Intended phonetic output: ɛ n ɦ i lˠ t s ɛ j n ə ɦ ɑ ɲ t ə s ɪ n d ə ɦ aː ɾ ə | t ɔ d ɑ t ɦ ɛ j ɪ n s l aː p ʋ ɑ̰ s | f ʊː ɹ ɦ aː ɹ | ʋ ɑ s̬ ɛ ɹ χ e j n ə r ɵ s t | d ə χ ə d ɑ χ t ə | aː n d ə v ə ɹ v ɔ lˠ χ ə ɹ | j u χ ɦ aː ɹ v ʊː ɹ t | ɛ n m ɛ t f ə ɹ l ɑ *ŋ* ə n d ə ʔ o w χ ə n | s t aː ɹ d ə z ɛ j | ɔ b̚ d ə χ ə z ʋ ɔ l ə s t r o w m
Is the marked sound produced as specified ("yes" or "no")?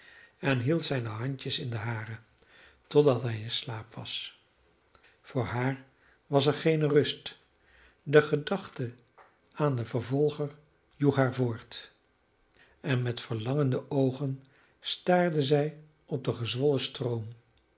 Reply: yes